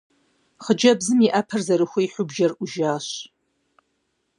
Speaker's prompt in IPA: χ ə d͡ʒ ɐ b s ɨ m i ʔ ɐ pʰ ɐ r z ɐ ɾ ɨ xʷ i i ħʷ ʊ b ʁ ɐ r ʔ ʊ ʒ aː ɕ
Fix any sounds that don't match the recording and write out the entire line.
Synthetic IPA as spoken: χ ə d͡ʒ ɐ b z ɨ m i ʔ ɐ pʰ ɐ r z ɐ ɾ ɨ xʷ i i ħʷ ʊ b ʒ ɐ r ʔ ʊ ʒ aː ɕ